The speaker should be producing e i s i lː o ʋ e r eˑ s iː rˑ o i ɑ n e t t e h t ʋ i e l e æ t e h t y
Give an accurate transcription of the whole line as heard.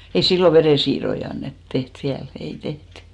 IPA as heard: e i s i lː o ʋ e r eˑ s iː rˑ o i ɑ nː e t t e h t ʋ i æ l e i t e h t y